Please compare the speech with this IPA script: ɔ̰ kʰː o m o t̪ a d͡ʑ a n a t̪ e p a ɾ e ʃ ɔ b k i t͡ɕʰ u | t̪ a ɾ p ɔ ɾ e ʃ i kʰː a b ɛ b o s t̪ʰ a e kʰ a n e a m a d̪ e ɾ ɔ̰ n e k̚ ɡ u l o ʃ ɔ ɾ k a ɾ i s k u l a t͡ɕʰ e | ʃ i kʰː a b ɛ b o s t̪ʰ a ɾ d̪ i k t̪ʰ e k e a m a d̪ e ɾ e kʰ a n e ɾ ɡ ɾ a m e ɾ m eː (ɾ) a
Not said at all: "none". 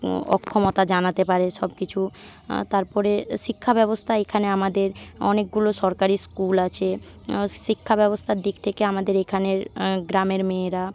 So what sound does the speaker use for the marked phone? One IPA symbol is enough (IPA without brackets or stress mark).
ɾ